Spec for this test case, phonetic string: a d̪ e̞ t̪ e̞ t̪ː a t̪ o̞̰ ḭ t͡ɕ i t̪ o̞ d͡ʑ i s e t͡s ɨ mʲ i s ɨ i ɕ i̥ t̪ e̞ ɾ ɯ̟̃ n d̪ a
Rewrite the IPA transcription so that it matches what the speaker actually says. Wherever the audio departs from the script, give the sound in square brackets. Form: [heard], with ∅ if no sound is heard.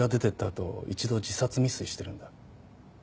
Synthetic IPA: a d̪ e̞ t̪ e̞ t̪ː a t̪ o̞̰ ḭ t͡ɕ i [d̪] o̞ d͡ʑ i s [a] t͡s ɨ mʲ i s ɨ i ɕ i̥ t̪ e̞ ɾ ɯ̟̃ n d̪ a